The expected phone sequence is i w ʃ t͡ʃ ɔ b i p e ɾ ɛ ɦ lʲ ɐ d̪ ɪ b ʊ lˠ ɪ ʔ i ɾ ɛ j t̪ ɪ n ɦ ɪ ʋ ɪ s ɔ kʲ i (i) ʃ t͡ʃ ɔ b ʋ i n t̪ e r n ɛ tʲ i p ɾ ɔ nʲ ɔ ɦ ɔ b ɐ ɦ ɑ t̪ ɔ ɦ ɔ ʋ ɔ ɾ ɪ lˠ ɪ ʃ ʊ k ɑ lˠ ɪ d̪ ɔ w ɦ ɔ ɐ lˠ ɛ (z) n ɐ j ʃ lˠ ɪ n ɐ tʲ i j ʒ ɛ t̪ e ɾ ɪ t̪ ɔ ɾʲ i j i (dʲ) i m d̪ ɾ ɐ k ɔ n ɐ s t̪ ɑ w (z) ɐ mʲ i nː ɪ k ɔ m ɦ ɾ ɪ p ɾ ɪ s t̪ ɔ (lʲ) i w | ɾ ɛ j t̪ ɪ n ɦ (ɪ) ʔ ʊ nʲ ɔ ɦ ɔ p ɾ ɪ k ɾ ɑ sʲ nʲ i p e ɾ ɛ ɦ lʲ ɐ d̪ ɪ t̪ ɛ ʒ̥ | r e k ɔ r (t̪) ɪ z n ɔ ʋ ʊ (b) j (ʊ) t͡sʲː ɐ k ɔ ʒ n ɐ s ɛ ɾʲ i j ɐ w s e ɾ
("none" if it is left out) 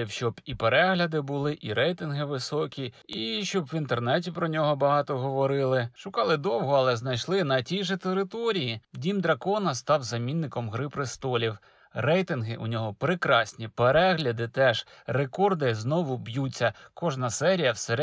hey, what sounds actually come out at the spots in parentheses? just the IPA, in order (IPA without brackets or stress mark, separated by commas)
i, z, dʲ, z, lʲ, ɪ, d̪, b, u